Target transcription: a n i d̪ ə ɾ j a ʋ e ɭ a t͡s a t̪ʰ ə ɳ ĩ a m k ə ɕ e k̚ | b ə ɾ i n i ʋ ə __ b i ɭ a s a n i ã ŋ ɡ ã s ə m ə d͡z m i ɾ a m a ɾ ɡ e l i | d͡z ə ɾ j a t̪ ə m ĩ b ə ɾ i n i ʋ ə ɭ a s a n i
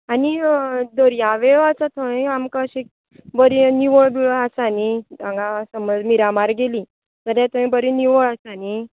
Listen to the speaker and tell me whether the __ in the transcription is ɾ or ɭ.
ɭ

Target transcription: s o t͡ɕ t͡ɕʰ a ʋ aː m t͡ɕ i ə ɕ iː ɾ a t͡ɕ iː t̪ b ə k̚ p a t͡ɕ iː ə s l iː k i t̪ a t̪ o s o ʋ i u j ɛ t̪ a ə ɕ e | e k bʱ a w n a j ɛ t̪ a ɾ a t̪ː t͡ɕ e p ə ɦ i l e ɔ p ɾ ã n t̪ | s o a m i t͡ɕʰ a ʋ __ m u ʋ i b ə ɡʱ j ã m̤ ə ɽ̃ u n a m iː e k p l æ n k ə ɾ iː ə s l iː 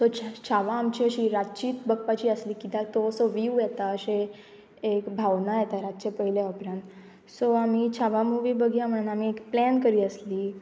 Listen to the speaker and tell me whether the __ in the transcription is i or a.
a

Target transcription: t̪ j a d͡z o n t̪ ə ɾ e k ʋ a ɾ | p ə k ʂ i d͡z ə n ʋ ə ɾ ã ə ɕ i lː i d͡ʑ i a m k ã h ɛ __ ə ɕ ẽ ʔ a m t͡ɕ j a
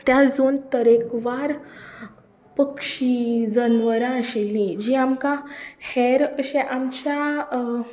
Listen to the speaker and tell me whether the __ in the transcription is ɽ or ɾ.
ɾ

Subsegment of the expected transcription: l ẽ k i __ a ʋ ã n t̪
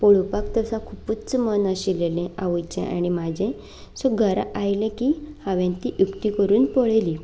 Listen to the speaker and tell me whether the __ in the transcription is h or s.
h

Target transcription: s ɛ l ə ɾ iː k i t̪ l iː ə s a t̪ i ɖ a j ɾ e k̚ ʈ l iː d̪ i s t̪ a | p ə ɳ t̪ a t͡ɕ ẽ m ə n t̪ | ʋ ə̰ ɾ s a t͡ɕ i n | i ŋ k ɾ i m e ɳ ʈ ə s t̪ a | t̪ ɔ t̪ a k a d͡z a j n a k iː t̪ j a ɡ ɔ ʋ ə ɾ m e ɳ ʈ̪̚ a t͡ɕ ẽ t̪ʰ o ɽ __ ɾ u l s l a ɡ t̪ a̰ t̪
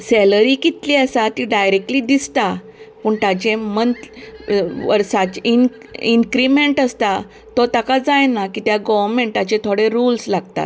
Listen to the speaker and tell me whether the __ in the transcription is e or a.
e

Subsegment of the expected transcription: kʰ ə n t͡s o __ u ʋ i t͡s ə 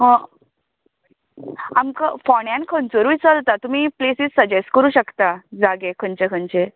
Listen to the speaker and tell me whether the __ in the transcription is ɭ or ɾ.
ɾ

